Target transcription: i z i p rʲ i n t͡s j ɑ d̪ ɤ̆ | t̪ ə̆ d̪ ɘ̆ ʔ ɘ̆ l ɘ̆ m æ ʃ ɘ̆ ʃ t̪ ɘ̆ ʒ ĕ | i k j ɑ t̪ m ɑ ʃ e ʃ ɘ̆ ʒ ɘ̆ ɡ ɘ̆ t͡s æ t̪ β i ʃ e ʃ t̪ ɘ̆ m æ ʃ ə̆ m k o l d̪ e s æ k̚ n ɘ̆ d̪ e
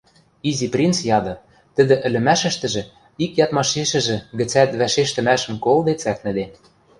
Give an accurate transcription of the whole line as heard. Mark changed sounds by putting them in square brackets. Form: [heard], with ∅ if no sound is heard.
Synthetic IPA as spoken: i z i p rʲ i n t͡s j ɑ d̪ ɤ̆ | t̪ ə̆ d̪ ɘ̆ ʔ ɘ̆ l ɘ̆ m æ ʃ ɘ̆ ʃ t̪ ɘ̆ ʒ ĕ | i k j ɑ t̪ m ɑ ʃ e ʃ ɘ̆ ʒ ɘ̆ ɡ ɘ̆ t͡s æ t̪ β [æ] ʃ e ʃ t̪ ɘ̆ m æ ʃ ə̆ m k o l d̪ e [t͡s] æ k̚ n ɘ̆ d̪ e